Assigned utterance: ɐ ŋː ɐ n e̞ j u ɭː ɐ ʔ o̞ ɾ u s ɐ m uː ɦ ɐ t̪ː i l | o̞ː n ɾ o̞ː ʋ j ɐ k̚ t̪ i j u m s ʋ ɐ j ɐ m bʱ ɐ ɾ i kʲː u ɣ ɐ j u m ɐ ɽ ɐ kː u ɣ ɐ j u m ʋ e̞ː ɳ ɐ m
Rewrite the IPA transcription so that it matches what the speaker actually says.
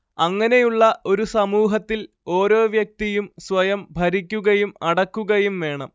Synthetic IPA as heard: ɐ ŋː ɐ n e̞ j u ɭː ɐ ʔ o̞ ɾ u s ɐ m uː ɦ ɐ t̪ː i l | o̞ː ɾ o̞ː ʋ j ɐ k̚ t̪ i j u m s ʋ ɐ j ɐ m bʱ ɐ ɾ i kʲː u ɣ ɐ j u m ɐ ɽ ɐ kː u ɣ ɐ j u m ʋ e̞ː ɳ ɐ m